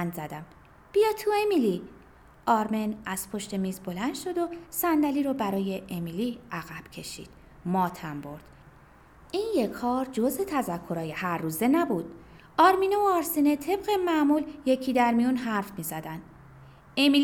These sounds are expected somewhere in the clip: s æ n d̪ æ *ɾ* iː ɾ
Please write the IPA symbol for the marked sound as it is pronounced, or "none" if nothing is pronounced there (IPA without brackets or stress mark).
l